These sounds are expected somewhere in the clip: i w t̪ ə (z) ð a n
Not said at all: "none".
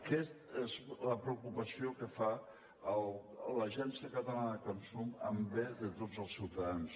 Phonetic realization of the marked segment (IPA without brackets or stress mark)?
none